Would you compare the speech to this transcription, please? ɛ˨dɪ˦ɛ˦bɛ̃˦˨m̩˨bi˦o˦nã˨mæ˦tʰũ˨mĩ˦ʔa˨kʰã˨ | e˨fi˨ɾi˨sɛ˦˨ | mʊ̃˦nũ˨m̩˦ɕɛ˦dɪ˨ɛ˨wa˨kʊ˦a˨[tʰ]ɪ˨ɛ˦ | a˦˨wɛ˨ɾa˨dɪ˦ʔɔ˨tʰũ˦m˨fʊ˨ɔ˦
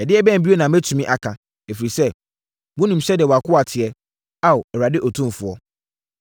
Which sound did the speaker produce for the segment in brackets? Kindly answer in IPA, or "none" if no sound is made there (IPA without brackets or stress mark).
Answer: tʰ